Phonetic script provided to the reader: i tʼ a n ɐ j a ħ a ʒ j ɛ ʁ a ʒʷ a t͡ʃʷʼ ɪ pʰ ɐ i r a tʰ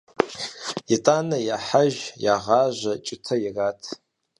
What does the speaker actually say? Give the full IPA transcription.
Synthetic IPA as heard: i tʼ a n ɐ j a ħ a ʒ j a ʁ a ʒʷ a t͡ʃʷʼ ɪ tʰ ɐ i r a tʰ